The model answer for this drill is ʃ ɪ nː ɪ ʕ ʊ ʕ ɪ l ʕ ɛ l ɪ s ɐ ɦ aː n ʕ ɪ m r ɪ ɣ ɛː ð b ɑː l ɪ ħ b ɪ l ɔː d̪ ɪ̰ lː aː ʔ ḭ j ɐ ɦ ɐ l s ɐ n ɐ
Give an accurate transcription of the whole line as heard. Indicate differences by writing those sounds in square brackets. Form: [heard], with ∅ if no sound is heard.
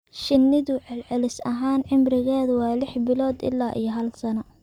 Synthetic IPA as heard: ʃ ɪ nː ɪ [ð] ʊ ʕ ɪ l ʕ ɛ l ɪ s ɐ ɦ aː n ʕ ɪ m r ɪ ɣ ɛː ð [w] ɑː l ɪ ħ b ɪ l ɔː d̪ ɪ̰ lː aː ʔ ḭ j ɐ ɦ ɐ l s ɐ n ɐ